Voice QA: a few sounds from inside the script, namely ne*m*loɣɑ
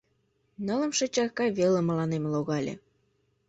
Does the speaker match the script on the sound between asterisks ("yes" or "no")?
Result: yes